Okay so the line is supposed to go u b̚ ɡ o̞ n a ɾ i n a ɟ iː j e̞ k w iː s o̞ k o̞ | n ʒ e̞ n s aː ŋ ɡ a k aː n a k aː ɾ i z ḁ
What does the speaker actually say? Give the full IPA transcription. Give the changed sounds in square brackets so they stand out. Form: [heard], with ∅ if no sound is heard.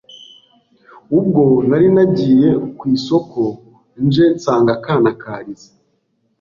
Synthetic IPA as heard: u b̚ ɡ o̞ n a ɾ i n a ɟ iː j e̞ k w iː s o̞ k o̞ | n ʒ e̞ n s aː ŋ ɡ a k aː n a k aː ɾ i z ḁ